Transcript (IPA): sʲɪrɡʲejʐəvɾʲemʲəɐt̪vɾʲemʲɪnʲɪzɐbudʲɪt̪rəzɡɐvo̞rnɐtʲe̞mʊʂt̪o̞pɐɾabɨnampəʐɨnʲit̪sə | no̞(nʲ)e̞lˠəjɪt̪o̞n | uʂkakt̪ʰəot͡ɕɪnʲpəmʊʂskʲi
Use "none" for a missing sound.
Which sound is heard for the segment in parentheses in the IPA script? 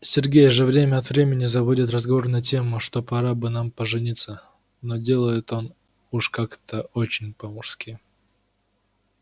dʲ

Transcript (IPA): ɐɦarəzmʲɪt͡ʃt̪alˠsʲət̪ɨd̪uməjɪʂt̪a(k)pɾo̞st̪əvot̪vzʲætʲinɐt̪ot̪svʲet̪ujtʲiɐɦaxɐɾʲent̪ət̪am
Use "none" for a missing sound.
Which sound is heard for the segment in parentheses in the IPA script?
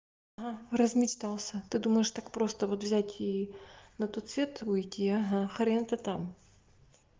k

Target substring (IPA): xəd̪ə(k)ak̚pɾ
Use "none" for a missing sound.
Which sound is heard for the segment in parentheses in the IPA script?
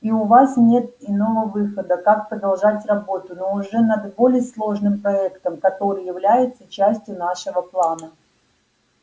k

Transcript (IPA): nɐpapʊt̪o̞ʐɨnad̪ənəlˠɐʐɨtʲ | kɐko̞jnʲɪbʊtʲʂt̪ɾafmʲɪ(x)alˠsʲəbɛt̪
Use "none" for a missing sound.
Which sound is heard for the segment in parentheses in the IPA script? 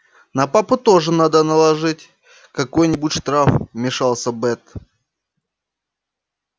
ʂ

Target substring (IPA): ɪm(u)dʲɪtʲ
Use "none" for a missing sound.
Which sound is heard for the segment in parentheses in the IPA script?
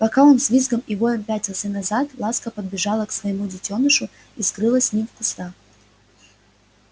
u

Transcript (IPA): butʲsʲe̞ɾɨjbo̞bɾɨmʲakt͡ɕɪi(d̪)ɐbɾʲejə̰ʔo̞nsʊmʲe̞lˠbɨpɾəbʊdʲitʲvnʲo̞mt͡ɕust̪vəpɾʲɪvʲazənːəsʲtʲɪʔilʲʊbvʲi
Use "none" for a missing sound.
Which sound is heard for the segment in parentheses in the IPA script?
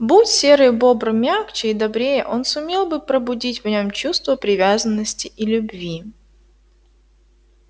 d̪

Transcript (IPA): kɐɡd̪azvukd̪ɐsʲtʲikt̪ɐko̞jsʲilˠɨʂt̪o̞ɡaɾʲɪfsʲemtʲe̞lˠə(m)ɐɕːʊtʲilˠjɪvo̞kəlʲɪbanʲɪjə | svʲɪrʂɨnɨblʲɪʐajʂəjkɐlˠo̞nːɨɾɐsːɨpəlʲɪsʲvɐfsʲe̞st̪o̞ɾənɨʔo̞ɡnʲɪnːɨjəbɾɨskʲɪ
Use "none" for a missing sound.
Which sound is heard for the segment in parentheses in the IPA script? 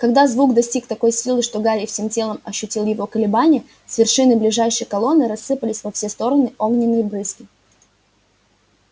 m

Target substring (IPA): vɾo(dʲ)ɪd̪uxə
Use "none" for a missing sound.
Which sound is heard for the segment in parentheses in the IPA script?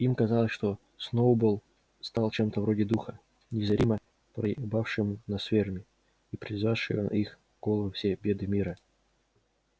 dʲ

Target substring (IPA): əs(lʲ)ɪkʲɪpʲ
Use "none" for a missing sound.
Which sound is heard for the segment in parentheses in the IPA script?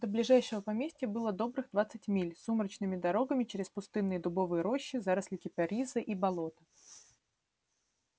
lʲ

